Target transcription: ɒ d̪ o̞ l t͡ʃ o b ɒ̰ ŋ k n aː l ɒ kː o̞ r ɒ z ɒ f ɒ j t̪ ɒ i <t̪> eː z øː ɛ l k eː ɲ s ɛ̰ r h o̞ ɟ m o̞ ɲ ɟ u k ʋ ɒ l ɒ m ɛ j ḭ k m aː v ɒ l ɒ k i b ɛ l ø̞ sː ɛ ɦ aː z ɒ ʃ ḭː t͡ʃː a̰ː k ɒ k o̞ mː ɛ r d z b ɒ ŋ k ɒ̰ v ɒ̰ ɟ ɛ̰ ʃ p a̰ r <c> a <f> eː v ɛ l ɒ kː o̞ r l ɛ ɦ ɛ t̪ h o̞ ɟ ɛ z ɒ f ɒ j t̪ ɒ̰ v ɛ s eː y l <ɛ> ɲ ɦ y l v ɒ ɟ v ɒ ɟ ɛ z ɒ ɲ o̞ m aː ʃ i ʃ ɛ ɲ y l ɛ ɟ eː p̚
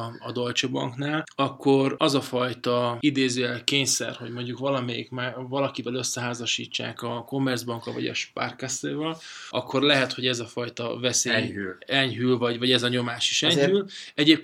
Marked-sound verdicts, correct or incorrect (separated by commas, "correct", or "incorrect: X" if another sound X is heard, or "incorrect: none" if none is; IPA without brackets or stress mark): incorrect: d̪, incorrect: k, incorrect: s, correct